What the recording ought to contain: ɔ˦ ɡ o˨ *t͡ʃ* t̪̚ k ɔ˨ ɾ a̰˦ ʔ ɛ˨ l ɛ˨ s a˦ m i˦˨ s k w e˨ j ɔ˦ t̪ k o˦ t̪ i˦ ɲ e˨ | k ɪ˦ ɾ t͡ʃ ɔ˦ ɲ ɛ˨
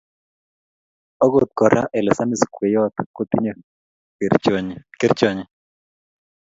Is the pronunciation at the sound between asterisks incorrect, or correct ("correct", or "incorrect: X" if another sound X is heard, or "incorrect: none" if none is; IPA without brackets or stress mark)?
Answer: incorrect: none